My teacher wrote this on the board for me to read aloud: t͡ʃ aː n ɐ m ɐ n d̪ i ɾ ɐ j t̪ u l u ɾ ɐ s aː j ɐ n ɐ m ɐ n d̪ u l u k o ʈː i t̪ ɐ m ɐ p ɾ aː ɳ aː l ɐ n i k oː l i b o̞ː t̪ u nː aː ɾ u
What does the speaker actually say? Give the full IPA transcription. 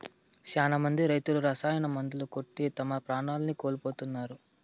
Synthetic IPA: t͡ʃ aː n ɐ m ɐ n d̪ i ɾ ɐ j t̪ u l u ɾ ɐ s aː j ɐ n ɐ m ɐ n d̪ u l u k o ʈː i t̪ ɐ m ɐ p ɾ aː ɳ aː l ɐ n i k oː l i p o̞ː t̪ u nː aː ɾ u